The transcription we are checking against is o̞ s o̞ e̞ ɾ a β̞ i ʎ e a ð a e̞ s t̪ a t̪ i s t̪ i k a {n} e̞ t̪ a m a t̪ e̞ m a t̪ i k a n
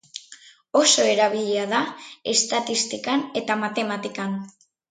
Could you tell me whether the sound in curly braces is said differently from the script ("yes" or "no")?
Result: no